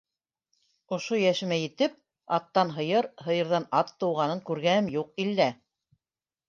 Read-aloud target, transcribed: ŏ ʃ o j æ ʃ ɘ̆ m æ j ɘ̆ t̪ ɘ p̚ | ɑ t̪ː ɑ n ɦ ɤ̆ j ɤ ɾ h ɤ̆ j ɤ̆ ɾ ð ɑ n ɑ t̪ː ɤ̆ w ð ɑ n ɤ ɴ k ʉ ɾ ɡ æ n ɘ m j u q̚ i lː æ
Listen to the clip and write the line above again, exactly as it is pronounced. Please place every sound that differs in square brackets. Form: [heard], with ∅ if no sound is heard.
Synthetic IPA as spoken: ŏ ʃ o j æ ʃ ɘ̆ m æ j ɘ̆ t̪ ɘ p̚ | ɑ t̪ː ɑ n ɦ ɤ̆ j ɤ ɾ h ɤ̆ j ɤ̆ ɾ ð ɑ n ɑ t̪ː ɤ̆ w [ʁ] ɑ n ɤ [ŋ] k ʉ ɾ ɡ æ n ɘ m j u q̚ i lː æ